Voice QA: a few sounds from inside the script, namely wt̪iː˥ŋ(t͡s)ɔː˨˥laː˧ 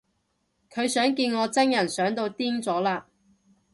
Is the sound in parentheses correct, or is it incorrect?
correct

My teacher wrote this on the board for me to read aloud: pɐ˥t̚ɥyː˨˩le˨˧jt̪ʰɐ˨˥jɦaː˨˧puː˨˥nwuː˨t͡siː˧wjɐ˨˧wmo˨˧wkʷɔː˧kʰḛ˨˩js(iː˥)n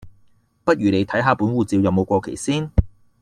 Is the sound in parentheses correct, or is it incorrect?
correct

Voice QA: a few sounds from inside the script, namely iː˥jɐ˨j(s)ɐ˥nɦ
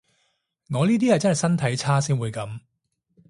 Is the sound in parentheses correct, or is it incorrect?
incorrect: t͡s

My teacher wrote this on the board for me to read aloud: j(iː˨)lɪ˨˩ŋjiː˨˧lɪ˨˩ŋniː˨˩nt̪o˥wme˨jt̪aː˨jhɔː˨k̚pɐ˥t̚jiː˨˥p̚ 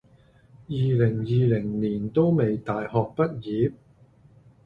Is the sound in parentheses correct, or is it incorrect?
correct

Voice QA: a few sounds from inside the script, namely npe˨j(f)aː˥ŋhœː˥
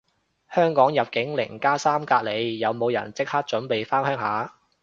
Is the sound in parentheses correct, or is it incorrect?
correct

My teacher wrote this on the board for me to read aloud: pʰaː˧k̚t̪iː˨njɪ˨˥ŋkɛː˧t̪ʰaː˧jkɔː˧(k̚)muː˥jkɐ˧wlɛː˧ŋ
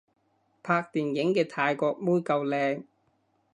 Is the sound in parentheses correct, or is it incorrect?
correct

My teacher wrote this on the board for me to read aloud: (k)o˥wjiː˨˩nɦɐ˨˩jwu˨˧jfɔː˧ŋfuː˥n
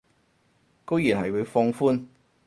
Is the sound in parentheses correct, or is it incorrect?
correct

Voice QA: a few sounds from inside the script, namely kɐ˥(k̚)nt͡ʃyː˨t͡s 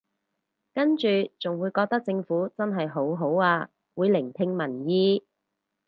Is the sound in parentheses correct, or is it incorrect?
incorrect: none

